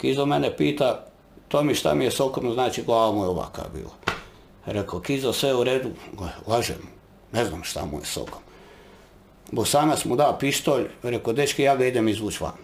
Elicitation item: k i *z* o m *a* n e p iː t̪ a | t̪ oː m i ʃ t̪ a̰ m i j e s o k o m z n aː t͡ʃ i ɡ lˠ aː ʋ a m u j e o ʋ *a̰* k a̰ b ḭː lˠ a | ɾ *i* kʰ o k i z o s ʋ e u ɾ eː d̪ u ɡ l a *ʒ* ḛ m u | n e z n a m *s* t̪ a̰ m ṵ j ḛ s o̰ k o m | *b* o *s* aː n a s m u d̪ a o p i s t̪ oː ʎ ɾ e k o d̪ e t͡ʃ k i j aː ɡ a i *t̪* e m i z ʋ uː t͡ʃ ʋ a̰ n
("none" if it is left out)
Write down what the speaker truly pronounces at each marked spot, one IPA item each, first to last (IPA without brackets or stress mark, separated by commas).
z, e, a̰, e, ʒ, ʃ, b, s, d̪